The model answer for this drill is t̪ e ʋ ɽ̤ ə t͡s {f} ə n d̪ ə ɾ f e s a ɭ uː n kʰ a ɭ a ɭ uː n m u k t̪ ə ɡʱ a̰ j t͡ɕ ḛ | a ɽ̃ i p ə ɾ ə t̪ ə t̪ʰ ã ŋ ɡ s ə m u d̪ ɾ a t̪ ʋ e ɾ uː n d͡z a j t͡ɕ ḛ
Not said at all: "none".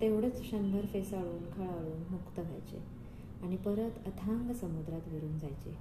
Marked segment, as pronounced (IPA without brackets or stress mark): ɕ